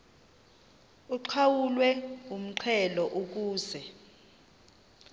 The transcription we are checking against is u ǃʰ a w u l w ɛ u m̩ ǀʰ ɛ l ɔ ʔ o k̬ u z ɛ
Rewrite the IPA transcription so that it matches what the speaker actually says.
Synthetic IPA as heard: u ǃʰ a w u l w ɛ u m̩ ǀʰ ɛ l ɔ ʔ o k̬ uː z ɛ